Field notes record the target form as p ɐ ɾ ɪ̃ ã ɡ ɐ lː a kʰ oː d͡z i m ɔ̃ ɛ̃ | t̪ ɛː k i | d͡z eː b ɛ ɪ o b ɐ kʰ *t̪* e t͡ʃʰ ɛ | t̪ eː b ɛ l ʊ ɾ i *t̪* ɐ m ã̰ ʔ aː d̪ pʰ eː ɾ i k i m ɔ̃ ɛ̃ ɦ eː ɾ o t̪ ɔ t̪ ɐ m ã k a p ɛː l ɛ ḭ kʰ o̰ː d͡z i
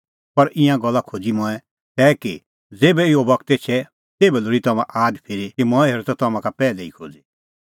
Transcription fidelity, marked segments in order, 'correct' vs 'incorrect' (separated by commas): correct, correct